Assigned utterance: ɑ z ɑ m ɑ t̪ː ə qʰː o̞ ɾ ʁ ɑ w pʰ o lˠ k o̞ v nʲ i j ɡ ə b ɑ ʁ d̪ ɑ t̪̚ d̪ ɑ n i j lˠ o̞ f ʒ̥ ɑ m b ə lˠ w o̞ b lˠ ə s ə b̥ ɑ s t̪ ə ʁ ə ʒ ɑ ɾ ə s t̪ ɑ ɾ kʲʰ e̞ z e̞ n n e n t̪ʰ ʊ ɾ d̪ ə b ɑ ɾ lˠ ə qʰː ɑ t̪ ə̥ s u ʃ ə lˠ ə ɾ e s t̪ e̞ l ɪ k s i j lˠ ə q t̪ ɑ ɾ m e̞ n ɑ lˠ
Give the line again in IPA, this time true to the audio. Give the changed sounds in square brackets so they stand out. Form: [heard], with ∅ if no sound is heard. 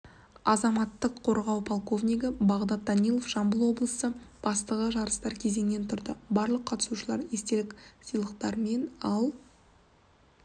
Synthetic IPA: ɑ z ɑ m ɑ t̪ː ə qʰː o̞ ɾ ʁ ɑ w pʰ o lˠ k o̞ v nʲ i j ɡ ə b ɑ ʁ d̪ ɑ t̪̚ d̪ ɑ n i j lˠ o̞ f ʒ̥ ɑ m b ə lˠ w o̞ b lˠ ə s ə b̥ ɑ s t̪ ə ʁ ə ʒ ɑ ɾ ə s t̪ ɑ ɾ kʲʰ e̞ z e̞ [ŋ] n e n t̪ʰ ʊ ɾ d̪ ə b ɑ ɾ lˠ ə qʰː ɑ t̪ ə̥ s u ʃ ə lˠ [ɑ] ɾ e s t̪ e̞ l ɪ k s i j lˠ ə q t̪ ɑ ɾ m e̞ n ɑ lˠ